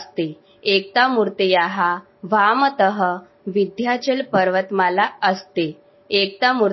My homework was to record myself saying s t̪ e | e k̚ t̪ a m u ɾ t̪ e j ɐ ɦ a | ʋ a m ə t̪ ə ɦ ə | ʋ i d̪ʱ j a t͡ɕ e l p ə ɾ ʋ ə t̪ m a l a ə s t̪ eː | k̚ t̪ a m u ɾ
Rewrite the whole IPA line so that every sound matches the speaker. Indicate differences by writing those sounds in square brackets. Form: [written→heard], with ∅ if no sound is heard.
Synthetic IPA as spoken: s t̪ e | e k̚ t̪ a m u ɾ t̪ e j [ɐ→a] ɦ a | ʋ a m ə t̪ ə ɦ ə | ʋ i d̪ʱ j a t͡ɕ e l p ə ɾ ʋ ə t̪ m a l a ə s t̪ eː | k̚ t̪ a m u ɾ